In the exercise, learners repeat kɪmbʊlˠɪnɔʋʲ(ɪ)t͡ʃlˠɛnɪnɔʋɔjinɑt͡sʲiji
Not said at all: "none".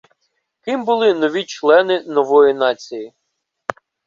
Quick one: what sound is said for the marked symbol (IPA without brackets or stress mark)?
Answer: i